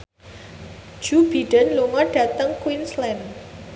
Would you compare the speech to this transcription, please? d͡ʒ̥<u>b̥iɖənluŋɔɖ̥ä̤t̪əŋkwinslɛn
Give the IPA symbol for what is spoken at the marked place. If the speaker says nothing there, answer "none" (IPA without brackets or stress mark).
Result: u